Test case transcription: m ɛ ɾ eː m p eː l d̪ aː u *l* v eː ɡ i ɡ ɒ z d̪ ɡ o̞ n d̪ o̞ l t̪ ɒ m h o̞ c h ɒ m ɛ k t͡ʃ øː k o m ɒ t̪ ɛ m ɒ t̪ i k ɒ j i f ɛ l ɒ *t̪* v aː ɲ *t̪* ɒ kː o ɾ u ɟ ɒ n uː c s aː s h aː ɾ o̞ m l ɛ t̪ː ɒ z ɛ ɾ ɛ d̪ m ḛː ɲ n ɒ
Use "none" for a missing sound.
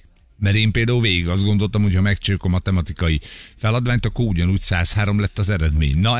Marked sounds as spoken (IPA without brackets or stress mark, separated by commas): l, d̪, t̪